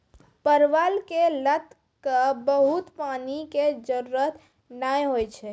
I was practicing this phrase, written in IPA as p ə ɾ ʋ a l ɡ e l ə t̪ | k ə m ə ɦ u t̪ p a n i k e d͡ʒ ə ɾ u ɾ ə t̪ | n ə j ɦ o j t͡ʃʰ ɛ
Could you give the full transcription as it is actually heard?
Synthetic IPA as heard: p ə ɾ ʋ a l k e l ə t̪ | k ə b ə ɦ u t̪ p a n i k e d͡ʒ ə ɾ u ɾ ə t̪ | n a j ɦ o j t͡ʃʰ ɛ

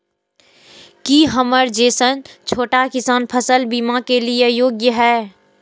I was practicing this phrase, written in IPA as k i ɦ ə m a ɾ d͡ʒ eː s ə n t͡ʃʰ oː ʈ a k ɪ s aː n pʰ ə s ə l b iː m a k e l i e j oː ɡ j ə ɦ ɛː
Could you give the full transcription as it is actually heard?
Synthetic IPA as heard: k i ɦ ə m ə ɾ d͡ʒ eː s ə n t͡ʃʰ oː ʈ a k ɪ s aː n pʰ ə s ə l b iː m a k e l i e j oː ɡ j ə ɦ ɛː

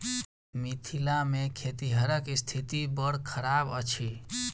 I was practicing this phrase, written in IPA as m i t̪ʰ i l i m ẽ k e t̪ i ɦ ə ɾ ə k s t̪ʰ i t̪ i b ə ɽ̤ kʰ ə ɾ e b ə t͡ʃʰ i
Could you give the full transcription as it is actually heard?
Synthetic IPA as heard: m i t̪ʰ i l a m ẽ kʰ e t̪ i ɦ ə ɾ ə k s t̪ʰ i t̪ i b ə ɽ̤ kʰ ə ɾ a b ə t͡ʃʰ i

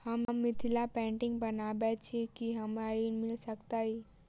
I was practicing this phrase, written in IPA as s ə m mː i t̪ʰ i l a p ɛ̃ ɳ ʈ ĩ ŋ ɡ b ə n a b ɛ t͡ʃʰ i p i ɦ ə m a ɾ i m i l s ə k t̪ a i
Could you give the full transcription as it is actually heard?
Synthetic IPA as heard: h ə m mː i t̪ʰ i l a p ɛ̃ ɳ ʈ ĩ ŋ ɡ b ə n a b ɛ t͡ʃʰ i k i ɦ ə m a ɾ i m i l s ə k t̪ a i

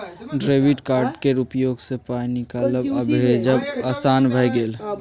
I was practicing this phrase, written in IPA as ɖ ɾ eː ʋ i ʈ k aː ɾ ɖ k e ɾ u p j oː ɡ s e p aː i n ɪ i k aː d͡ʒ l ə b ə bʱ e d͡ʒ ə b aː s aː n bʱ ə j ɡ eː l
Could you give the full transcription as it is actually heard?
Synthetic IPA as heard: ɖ ɾ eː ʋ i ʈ k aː ɾ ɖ k e ɾ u p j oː ɡ s e p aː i n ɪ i k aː l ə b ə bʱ e d͡ʒ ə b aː s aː n bʱ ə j ɡ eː l

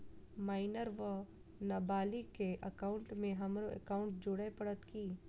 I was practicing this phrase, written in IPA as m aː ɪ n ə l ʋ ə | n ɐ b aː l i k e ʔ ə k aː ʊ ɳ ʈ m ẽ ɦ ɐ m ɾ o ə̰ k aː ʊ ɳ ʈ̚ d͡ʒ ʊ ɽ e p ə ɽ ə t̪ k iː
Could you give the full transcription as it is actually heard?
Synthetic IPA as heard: m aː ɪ n ə ɾ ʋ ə | n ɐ b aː l i k e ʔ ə k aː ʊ ɳ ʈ m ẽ ɦ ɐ m ɾ o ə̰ k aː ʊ ɳ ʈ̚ d͡ʒ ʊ ɽ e p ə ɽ ə t̪ k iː

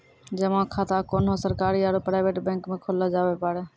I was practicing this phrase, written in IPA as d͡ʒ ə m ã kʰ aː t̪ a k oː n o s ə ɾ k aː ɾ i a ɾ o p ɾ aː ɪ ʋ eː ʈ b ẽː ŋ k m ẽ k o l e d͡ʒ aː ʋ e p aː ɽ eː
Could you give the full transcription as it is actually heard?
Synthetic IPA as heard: d͡ʒ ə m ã kʰ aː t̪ a k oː n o s ə ɾ k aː ɾ i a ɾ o p ɾ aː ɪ ʋ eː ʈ b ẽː ŋ k m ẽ kʰ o l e d͡ʒ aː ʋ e p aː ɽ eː

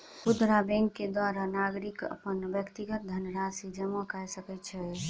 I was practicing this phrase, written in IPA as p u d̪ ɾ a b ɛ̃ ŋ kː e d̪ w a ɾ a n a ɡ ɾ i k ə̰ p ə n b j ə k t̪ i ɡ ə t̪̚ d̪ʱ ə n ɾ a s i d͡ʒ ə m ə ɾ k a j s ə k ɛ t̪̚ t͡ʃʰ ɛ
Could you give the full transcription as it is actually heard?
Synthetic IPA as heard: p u d̪ ɾ a b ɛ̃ ŋ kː e d̪ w a ɾ a n a ɡ ɾ i k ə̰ p ə n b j ə k t̪ i ɡ ə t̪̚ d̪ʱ ə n ɾ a s i d͡ʒ ə m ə k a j s ə k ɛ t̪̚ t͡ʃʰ ɛ

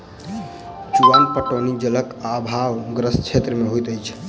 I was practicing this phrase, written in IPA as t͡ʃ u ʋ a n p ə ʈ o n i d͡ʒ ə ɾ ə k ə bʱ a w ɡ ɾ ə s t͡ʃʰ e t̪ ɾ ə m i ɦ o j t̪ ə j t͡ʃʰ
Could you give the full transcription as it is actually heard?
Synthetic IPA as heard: t͡ʃ u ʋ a n p ə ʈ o n i d͡ʒ ə l ə k a bʱ a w ɡ ɾ ə s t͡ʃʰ e t̪ ɾ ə m e ɦ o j t̪ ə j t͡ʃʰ

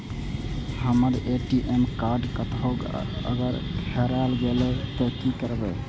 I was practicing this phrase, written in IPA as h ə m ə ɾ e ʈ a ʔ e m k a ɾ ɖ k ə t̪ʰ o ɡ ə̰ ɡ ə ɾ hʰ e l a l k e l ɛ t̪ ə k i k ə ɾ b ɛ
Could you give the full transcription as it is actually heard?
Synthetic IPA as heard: h ə m ə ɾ e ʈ i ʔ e m k a ɾ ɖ k ə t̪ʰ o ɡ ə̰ ɡ ə ɾ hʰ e ɾ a l ɡ e l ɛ t̪ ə k i k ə ɾ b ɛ

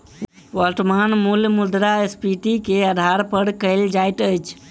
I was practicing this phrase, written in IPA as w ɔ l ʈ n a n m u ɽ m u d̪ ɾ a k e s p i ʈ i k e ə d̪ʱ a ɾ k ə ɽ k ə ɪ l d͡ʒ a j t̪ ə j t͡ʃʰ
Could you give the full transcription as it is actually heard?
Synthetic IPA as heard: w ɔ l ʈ m a n m u l m u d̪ ɾ a e s p i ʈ i k e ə d̪ʱ a ɾ p ə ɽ k ə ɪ l d͡ʒ a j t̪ ə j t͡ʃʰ

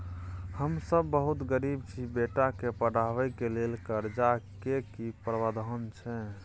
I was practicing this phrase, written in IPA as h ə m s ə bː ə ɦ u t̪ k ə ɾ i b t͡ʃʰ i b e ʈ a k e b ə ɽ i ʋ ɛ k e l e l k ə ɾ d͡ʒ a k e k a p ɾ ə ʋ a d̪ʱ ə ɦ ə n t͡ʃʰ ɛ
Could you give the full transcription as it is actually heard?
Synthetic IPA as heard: h ə m s ə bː ə ɦ u t̪ ɡ ə ɾ i b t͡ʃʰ i b e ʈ a k e p ə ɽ a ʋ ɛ k e l e l k ə ɾ d͡ʒ a k e k i p ɾ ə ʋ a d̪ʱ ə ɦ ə n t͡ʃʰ ɛ

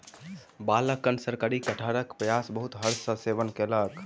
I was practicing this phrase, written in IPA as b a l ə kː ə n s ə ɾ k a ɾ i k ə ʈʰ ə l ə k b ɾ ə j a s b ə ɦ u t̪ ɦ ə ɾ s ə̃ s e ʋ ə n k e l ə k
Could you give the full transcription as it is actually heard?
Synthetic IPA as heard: b a l ə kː ə n s ə ɾ k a ɾ i k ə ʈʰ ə ɾ ə k p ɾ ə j a s b ə ɦ u t̪ ɦ ə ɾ s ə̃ s e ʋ ə n k e l ə k

